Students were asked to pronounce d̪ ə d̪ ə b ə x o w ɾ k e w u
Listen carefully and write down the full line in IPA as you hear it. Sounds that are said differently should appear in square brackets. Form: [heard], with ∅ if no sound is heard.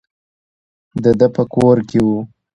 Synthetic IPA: d̪ ə d̪ ə [p] ə [k] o [∅] ɾ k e w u